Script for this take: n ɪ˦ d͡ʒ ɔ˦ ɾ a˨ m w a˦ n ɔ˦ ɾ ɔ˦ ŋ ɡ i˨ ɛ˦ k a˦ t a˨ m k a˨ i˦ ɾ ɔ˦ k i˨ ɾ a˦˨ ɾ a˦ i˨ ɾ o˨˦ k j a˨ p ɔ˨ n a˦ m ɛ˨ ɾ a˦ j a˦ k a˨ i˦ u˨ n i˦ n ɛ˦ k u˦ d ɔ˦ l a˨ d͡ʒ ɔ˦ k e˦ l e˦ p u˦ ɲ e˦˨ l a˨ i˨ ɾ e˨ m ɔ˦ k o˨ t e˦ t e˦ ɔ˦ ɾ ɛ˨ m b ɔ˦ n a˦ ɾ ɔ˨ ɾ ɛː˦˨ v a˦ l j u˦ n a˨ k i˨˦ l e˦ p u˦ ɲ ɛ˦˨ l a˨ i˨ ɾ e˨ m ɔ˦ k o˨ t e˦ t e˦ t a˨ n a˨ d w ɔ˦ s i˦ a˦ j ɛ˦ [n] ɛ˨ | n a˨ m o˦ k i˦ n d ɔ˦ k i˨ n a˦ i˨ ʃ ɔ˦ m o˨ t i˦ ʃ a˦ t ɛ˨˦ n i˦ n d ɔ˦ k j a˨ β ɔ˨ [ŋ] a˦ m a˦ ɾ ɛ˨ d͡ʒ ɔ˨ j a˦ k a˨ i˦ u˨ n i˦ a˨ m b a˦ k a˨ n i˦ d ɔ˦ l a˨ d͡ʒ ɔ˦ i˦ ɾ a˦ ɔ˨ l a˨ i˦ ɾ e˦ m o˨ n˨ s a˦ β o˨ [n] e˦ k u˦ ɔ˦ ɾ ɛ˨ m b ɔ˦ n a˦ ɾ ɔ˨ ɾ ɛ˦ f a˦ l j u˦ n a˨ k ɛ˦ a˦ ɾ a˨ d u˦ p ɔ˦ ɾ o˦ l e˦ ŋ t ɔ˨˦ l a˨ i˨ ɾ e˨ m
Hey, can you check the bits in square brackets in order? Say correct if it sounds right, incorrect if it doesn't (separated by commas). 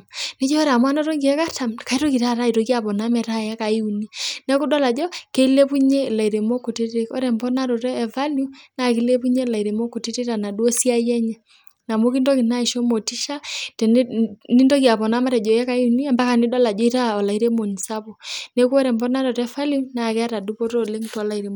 incorrect, incorrect, correct